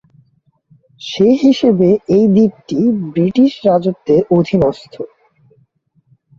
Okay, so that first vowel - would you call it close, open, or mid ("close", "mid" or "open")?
mid